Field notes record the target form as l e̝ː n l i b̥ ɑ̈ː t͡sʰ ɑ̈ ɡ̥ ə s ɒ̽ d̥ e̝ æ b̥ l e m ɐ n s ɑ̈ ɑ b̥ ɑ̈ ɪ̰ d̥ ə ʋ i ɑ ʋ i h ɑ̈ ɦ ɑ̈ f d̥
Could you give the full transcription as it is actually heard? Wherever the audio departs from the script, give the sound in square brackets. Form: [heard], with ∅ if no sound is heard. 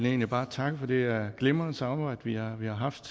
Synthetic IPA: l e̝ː n l i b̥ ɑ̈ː t͡sʰ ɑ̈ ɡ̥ ə [f] ɒ̽ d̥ e̝ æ [ɡ̥] l e m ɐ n s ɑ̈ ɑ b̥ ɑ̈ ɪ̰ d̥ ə ʋ i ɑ ʋ i h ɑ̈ ɦ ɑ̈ f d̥